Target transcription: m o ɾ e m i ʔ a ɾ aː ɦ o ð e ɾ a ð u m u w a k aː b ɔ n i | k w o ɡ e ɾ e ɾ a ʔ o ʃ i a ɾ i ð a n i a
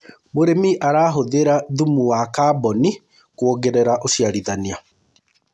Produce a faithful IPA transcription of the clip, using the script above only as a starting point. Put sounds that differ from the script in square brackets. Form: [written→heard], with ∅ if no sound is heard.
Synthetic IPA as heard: m o ɾ e m i ʔ a ɾ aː ɦ o ð e ɾ a ð u m u w a k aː b ɔ n i | k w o ɡ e ɾ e ɾ a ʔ o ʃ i a ɾ i ð a n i a